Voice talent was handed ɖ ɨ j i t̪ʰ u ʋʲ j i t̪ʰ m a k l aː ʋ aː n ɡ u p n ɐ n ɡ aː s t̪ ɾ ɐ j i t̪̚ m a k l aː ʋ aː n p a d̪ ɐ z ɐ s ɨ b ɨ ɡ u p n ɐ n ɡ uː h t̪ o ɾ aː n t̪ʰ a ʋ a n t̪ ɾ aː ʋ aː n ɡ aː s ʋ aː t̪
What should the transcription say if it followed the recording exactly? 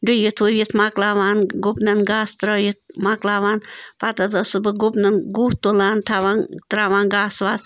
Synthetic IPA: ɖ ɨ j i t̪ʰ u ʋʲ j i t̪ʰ m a k l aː ʋ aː n ɡ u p n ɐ n ɡ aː s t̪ ɾ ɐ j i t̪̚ m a k l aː ʋ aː n p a t̪ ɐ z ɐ s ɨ b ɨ ɡ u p n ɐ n ɡ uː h t̪ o l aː n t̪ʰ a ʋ a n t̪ ɾ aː ʋ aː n ɡ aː s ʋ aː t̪

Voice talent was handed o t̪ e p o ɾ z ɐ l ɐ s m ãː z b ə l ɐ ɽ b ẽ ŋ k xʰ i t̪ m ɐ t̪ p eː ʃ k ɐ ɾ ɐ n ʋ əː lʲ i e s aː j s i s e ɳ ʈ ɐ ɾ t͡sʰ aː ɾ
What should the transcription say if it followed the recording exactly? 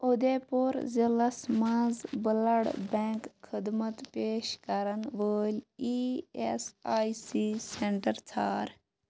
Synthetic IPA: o d̪ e p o ɾ z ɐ l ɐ s m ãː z b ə l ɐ ɽ b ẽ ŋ k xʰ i d̪ m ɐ t̪ p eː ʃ k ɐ ɾ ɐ n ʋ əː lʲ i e s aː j s i s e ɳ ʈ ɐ ɾ t͡sʰ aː ɾ

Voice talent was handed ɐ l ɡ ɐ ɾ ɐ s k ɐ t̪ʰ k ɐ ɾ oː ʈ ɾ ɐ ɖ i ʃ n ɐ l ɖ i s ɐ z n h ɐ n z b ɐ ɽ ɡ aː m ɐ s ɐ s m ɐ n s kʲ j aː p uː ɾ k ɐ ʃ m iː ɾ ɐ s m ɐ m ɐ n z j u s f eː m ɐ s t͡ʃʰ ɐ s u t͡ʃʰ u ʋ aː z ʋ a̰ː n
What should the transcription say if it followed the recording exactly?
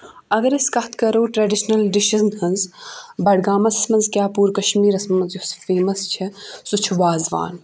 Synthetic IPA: ɐ ɡ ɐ ɾ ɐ s k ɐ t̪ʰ k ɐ ɾ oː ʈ ɾ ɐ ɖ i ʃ n ɐ l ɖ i ʃ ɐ z n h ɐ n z b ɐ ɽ ɡ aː m ɐ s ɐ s m ɐ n z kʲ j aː p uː ɾ k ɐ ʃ m iː ɾ ɐ s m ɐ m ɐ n z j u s f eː m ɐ s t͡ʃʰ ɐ s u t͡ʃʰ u ʋ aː z ʋ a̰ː n

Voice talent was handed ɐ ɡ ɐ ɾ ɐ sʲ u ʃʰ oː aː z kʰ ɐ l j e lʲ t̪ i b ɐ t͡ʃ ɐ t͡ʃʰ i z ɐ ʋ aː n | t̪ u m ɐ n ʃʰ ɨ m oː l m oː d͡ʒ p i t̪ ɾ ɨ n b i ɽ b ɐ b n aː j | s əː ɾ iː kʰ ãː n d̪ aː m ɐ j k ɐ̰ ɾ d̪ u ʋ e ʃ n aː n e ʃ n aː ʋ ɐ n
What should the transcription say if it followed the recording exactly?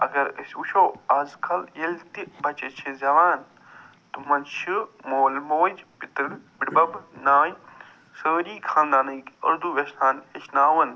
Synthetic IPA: ɐ ɡ ɐ ɾ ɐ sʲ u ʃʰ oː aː z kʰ ɐ l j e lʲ t̪ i b ɐ t͡ʃ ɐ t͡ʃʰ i z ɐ ʋ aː n | t̪ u m ɐ n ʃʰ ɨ m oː l m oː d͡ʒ p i t̪ ɾ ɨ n b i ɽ b ɐ b n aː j | s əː ɾ iː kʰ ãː n d̪ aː n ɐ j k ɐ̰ ɾ d̪ u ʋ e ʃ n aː n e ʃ n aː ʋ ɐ n

